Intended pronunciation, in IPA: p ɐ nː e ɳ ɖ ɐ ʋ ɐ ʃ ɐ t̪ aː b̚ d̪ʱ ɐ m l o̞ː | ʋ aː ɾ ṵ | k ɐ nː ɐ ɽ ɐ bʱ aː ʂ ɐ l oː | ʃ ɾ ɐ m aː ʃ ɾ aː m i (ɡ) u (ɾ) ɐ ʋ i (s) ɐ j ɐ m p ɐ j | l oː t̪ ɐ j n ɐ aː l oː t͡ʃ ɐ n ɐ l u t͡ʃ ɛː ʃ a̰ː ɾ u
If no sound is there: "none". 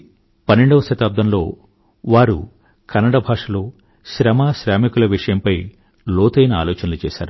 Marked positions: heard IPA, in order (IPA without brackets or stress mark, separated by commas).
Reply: k, l, ʂ